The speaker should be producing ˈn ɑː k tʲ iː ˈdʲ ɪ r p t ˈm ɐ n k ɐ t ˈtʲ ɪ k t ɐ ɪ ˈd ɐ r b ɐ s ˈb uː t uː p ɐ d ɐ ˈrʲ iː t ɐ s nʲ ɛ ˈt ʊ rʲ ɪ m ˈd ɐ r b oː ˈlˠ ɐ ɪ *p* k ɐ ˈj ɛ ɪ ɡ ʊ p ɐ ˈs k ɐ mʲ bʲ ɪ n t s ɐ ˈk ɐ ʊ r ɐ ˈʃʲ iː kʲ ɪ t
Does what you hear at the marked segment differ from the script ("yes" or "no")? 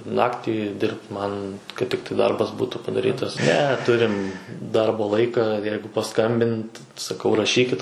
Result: yes